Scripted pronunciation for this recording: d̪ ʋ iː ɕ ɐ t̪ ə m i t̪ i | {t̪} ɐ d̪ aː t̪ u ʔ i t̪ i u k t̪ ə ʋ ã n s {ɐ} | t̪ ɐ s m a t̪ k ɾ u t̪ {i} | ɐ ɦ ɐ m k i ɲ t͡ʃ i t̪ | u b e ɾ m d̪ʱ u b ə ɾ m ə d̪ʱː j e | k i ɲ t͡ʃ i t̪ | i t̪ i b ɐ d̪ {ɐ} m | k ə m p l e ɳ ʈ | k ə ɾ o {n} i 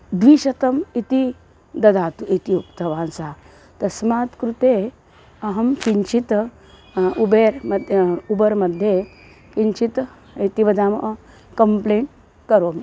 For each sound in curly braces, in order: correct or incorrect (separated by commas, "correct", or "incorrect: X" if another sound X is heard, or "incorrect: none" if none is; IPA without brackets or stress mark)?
incorrect: d̪, incorrect: a, incorrect: e, incorrect: a, incorrect: m